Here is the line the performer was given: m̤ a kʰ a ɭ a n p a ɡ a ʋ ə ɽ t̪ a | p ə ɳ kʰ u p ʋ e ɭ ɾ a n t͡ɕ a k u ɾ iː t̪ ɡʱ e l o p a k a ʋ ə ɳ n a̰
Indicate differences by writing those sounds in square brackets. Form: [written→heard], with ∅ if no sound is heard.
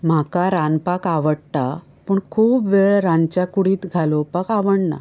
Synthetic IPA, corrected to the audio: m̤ a [kʰ→k] a [ɭ→ɾ] a n p a [ɡ→k] a ʋ ə ɽ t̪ a | p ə ɳ kʰ [u→uː] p ʋ e ɭ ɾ a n t͡ɕ a k u [ɾ→ɽ] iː t̪ ɡʱ [e→a] l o p a k a ʋ ə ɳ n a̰